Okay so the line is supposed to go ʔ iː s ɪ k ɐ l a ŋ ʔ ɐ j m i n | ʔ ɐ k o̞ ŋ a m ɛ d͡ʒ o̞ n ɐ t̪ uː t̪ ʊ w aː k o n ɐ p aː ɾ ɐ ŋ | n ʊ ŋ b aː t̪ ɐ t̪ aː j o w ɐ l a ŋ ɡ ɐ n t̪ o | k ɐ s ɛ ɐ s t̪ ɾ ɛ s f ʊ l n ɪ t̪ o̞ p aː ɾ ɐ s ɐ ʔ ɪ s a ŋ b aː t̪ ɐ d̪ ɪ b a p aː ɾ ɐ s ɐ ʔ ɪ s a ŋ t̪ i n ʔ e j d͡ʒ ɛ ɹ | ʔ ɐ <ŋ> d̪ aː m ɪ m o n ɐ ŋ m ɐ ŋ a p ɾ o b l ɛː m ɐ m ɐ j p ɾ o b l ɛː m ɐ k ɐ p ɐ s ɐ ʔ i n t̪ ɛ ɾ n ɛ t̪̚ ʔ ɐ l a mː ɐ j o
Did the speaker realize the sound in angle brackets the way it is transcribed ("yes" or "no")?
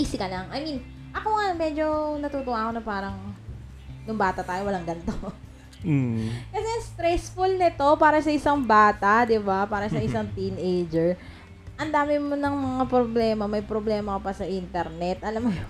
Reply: no